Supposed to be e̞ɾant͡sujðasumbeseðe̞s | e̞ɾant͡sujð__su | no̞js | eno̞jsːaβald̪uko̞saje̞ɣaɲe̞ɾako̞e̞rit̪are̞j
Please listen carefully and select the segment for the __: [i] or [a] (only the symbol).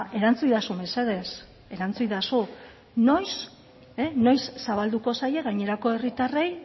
a